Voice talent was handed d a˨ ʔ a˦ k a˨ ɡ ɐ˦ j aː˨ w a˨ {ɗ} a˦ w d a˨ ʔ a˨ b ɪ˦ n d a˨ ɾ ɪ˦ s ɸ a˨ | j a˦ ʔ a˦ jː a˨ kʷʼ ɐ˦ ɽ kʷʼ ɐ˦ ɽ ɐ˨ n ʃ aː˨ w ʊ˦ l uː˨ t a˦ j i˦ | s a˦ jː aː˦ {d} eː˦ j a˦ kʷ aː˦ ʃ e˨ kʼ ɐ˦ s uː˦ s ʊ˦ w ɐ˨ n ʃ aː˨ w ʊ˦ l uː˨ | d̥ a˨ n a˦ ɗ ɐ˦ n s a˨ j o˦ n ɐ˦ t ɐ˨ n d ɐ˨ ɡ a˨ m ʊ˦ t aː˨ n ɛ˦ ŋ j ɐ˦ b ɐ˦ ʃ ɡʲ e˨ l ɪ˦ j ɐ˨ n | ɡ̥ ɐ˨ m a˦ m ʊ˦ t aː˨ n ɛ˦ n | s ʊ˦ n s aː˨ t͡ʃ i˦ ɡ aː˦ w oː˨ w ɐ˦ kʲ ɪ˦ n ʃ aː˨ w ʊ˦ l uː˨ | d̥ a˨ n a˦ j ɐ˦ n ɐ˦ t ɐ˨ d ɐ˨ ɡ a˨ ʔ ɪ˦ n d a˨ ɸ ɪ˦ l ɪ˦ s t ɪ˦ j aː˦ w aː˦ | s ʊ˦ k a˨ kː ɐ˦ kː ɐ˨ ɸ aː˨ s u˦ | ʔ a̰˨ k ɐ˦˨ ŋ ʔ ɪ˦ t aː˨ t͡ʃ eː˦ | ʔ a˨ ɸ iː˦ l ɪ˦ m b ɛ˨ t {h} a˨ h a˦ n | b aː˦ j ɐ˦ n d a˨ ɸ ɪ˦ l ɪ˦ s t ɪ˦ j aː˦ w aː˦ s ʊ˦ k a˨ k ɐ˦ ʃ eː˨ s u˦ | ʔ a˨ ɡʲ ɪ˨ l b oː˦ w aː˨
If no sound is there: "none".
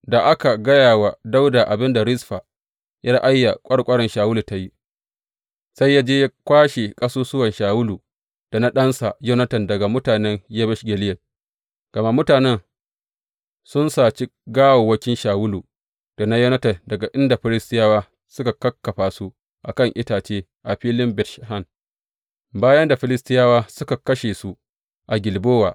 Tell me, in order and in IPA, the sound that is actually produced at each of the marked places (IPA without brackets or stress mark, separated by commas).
d, d͡ʒ, ʃ